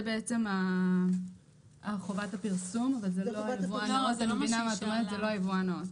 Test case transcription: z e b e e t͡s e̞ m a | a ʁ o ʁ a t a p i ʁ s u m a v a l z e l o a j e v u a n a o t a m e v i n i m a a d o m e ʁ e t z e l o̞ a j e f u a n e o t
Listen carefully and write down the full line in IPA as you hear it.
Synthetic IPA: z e b e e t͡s e̞ m a | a χ o v a t a p i ʁ s u m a v a l z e l o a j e v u a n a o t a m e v i n a m a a t o m e ʁ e t z e l o̞ a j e v u a n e o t